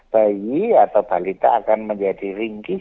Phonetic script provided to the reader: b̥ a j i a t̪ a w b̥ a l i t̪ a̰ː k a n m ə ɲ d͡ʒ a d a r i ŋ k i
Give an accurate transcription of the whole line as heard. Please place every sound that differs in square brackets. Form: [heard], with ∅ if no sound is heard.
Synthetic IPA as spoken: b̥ a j i a t̪ a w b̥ a l i t̪ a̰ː k a n m ə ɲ d͡ʒ a d [i] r i ŋ k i